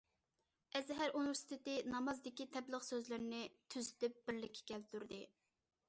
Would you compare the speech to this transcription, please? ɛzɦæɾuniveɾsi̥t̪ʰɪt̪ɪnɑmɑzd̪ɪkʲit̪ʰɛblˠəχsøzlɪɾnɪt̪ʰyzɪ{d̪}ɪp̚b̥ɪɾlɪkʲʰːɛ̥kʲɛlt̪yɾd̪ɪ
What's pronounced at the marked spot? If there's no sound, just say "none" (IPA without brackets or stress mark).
t̪